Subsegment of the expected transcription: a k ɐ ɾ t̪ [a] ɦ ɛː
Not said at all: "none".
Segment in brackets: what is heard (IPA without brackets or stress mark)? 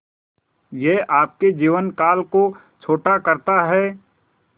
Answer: a